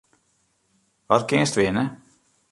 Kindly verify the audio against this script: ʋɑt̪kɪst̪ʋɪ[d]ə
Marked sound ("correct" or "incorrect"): incorrect